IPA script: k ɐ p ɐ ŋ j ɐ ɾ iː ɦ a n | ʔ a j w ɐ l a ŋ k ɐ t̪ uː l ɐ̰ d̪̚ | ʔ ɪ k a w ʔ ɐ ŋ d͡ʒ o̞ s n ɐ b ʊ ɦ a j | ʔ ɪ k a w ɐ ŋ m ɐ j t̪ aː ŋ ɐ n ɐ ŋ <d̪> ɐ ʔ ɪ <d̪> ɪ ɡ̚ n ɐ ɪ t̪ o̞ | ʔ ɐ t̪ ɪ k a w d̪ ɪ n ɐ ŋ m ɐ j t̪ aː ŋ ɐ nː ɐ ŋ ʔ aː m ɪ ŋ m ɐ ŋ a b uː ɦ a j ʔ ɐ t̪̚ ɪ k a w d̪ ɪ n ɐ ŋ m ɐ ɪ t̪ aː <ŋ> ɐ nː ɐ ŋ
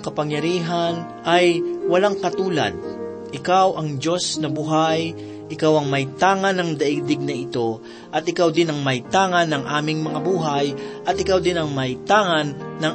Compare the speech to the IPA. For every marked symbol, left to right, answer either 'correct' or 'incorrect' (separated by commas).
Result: correct, correct, correct